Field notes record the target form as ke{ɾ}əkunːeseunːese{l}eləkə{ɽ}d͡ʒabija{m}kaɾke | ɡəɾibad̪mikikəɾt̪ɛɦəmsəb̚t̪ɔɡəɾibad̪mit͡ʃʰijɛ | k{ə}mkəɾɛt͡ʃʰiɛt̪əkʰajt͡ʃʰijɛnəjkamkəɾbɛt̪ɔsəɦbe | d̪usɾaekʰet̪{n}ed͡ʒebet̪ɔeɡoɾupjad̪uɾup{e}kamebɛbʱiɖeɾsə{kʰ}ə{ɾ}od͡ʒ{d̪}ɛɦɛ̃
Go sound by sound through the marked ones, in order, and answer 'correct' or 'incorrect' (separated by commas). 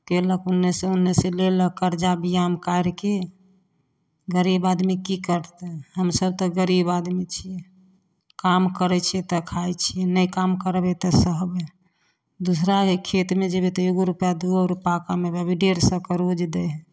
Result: incorrect, correct, incorrect, correct, incorrect, incorrect, incorrect, incorrect, correct, correct